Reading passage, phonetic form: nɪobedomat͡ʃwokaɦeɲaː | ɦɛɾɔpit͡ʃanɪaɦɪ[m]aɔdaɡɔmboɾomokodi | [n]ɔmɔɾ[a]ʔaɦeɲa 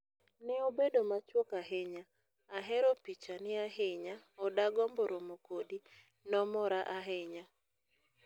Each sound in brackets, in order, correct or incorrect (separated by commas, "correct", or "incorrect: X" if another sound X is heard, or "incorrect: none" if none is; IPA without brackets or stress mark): incorrect: ɲ, correct, correct